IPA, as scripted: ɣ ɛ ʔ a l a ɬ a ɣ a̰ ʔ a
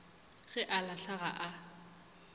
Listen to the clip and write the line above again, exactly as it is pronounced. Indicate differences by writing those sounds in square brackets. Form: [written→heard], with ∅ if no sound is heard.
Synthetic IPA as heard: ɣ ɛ ʔ a l a ɬ a ɣ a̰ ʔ a